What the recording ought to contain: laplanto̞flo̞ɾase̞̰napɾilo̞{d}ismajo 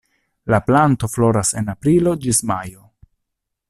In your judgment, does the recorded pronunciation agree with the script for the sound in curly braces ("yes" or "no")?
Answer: no